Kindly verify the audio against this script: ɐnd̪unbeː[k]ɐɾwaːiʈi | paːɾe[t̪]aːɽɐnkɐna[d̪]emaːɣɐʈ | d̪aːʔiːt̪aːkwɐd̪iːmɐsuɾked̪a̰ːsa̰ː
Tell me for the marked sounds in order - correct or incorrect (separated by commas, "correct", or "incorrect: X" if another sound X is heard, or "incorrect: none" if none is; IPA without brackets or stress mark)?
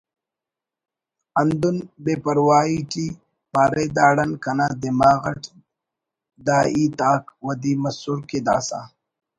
incorrect: p, incorrect: d̪, correct